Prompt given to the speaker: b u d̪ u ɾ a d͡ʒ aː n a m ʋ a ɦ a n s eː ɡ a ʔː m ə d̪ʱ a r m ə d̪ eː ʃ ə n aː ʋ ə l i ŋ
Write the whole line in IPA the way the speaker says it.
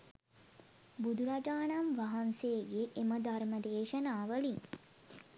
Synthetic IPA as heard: b u d̪ u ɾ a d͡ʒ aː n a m ʋ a ɦ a n s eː ɡ e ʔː m ə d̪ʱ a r m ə d̪ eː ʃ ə n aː ʋ ə l i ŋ

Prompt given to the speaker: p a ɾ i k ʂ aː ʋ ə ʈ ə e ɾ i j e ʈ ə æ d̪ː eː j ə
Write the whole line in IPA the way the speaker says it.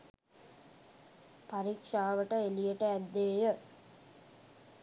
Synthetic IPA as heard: p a ɾ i k ʂ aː ʋ ə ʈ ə e l i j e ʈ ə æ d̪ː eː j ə

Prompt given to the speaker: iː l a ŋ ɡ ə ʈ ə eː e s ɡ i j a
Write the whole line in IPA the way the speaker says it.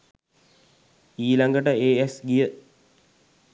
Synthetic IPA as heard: iː l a ŋ ɡ ə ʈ ə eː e s ɡ i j ə

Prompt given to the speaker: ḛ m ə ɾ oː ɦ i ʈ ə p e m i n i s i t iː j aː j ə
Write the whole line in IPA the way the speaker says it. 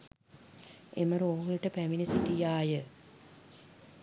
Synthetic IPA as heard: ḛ m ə ɾ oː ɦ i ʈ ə p æ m i n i s i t i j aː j ə

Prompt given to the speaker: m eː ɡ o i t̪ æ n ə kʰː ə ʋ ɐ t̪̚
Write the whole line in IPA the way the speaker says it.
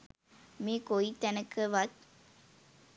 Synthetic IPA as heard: m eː k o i t̪ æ n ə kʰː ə ʋ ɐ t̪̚

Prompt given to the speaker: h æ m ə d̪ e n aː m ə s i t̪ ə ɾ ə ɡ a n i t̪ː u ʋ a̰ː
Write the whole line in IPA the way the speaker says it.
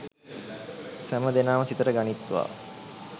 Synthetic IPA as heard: s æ m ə d̪ e n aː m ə s i t̪ ə ɾ ə ɡ a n i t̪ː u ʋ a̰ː

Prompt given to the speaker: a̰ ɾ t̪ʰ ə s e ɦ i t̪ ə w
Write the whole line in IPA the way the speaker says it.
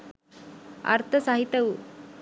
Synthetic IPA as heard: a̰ ɾ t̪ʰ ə s a ɦ i t̪ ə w

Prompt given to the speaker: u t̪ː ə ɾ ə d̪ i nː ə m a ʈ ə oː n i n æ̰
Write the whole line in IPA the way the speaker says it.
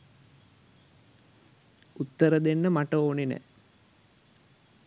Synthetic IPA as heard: u t̪ː ə ɾ ə d̪ e nː ə m a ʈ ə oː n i n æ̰

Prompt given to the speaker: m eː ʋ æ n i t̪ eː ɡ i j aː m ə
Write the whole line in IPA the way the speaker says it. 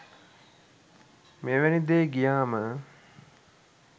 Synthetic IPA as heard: m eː ʋ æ n i d̪ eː ɡ i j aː m ə

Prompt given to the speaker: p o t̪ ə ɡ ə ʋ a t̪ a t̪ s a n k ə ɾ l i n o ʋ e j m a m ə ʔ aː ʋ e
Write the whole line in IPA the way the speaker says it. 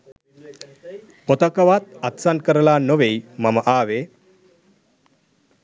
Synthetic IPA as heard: p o t̪ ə k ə ʋ a t̪ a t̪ s a n k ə ɾ l a n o ʋ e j m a m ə ʔ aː ʋ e

